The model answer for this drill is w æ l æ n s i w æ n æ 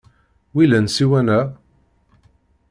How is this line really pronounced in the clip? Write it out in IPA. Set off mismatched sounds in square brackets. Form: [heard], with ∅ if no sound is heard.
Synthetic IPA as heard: w [i] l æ n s i w æ n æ